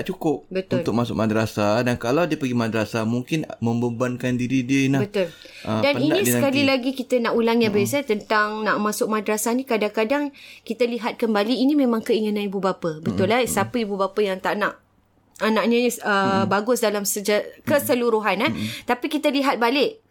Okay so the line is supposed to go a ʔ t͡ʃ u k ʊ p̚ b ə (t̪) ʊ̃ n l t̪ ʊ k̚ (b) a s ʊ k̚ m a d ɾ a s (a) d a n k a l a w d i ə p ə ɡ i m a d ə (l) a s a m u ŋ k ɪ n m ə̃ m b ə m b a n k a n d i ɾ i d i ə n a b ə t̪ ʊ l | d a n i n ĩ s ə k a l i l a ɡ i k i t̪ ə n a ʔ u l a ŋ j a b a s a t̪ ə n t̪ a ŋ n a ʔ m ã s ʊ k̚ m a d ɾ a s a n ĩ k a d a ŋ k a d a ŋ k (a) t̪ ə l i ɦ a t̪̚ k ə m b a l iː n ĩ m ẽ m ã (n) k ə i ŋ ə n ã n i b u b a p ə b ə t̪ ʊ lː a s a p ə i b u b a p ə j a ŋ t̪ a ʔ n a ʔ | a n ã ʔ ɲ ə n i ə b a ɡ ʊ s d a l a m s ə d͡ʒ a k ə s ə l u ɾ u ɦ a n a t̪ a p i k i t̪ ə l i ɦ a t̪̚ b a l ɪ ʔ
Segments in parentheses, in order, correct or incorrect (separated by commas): correct, incorrect, correct, incorrect, incorrect, incorrect